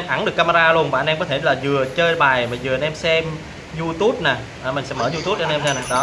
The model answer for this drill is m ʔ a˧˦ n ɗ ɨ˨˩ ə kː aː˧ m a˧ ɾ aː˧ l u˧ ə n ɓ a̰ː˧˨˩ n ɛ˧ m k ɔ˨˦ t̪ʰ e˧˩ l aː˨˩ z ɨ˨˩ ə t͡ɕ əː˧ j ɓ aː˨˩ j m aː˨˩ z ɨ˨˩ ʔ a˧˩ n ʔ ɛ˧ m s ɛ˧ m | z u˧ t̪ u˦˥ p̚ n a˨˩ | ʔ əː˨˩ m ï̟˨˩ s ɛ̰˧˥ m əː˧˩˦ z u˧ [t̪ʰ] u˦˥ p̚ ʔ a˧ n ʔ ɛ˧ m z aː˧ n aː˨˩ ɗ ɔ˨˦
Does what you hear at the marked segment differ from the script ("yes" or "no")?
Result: yes